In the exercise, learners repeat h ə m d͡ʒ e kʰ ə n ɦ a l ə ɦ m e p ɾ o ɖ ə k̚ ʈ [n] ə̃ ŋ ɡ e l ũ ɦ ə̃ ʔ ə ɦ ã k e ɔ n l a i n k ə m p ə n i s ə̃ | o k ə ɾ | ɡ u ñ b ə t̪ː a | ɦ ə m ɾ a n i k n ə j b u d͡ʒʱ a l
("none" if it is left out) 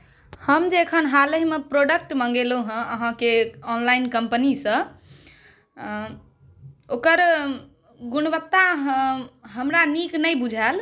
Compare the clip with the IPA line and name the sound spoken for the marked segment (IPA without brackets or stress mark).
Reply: m